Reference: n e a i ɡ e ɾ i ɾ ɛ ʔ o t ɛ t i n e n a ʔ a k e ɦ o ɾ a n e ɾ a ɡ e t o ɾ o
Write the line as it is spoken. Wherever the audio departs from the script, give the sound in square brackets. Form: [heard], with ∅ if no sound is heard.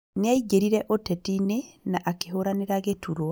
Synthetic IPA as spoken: n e a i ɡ e ɾ i ɾ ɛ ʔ o t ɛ t i n e n a ʔ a k e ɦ o ɾ a n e ɾ a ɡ e t [u] ɾ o